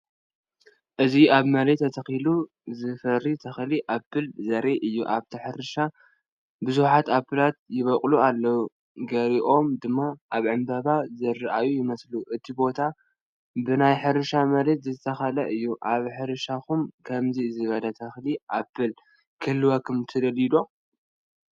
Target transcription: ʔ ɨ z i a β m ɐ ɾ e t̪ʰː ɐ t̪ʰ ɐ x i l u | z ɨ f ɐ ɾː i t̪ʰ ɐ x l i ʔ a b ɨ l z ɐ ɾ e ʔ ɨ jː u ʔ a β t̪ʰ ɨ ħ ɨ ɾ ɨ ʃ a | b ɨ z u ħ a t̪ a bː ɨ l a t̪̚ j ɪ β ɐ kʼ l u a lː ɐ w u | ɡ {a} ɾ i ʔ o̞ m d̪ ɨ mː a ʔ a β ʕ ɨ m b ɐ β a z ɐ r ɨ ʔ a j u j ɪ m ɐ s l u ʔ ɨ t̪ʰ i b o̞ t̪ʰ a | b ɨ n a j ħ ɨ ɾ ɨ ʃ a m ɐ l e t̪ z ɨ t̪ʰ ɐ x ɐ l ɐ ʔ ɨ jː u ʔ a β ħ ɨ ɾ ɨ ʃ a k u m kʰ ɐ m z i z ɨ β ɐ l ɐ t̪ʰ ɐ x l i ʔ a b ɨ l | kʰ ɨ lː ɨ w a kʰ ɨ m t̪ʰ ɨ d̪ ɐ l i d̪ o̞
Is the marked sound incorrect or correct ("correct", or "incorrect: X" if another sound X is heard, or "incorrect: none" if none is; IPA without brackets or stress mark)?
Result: incorrect: ɐ